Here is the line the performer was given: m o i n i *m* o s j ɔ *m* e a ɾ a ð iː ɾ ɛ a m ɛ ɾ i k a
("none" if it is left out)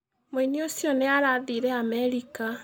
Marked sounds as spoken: none, n

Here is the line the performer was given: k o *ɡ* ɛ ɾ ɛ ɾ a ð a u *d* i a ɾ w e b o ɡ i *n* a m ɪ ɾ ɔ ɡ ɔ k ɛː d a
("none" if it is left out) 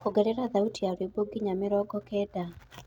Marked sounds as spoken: ɡ, t, ɲ

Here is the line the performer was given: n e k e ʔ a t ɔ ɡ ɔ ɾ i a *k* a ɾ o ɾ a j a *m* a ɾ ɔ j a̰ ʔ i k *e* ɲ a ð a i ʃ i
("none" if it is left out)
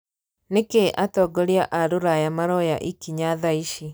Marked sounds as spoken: ʔ, m, i

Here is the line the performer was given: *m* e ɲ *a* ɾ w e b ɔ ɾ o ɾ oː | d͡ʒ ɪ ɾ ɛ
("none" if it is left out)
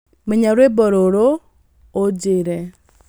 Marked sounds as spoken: m, a

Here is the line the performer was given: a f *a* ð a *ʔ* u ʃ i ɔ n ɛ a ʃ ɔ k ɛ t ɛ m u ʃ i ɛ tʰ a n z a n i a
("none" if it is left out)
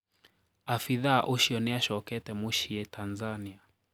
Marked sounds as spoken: i, ʔ

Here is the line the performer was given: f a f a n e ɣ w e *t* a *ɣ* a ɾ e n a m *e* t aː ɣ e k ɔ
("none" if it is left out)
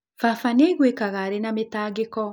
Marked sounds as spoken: k, ɣ, e

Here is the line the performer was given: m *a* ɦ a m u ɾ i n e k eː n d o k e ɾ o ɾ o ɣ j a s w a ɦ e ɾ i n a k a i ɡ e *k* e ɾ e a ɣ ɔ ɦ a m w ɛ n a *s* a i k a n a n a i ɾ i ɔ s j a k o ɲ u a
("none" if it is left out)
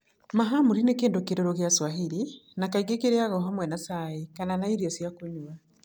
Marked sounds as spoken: a, k, s

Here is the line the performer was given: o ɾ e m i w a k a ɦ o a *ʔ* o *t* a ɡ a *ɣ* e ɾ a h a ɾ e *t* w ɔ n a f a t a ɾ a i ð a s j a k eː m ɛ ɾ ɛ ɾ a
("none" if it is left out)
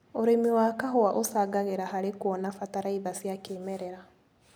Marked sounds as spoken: ʔ, s, ɣ, k

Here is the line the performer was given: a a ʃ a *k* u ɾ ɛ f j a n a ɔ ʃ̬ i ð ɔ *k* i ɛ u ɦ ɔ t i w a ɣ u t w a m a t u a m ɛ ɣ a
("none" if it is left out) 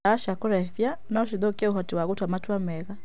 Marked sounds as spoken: k, k

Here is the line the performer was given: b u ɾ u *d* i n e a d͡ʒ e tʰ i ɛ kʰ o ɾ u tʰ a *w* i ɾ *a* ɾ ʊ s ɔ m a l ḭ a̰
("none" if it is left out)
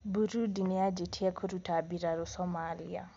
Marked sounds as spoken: d, b, a

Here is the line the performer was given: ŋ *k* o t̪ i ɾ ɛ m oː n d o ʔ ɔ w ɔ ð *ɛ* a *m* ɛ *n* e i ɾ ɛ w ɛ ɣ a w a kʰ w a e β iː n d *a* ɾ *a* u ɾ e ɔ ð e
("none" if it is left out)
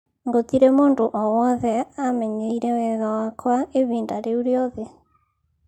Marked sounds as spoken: ɡ, ɛ, m, ɲ, a, e

